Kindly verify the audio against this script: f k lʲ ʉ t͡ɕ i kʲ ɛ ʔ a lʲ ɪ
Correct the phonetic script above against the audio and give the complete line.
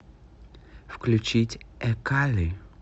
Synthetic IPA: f k lʲ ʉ t͡ɕ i tʲ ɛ k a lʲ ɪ